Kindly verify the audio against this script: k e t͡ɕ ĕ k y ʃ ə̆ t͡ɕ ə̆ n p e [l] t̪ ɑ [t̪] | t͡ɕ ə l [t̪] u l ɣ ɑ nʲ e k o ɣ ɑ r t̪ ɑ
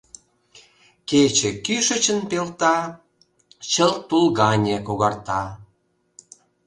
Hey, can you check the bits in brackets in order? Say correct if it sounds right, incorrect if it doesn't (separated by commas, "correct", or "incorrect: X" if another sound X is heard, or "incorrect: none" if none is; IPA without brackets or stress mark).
correct, incorrect: none, correct